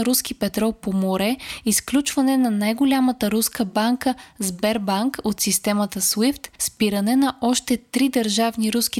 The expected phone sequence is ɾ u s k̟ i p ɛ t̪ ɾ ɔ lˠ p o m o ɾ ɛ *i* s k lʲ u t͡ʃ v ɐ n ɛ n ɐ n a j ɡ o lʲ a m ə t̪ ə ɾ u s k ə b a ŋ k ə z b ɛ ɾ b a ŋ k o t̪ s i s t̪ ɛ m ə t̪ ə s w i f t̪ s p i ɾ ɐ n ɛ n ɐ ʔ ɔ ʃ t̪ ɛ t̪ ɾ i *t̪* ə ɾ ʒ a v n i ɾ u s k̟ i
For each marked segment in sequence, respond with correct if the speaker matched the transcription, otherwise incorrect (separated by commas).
correct, incorrect